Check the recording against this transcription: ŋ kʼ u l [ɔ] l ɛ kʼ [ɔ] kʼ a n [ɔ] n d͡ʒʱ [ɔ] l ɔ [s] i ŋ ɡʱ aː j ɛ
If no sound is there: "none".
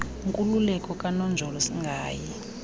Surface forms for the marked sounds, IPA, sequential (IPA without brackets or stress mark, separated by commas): u, ɔ, ɔ, ɔ, s